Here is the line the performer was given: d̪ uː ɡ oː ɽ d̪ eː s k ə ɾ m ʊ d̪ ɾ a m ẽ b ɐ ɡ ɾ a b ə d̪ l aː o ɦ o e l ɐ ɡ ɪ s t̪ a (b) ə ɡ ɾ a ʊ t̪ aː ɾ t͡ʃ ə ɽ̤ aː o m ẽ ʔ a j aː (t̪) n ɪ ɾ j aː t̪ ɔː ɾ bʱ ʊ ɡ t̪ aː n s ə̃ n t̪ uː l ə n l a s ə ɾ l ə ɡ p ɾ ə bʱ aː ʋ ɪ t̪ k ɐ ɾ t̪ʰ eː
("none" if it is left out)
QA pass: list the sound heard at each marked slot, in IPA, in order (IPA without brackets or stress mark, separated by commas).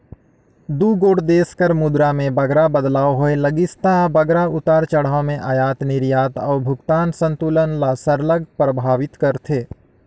b, t̪